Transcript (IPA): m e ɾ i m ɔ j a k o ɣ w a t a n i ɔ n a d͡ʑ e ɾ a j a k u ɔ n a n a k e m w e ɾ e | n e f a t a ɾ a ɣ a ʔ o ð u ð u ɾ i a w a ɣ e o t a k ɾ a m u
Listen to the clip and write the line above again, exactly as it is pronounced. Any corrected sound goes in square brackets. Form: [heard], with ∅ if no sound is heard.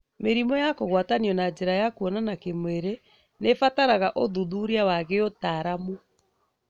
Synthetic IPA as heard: m e ɾ i m ɔ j a k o ɣ w a t a n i ɔ n a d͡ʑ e ɾ a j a k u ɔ n a n a k e m w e ɾ e | n e f a t a ɾ a ɣ a ʔ o ð u ð u ɾ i a w a ɣ e o t a [∅] ɾ a m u